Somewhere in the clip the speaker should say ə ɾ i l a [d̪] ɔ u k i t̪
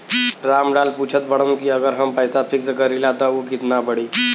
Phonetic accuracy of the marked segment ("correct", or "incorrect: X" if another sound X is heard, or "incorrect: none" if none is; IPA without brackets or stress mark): incorrect: t̪